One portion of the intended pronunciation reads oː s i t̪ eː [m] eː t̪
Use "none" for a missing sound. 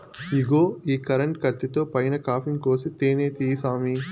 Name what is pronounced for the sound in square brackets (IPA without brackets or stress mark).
n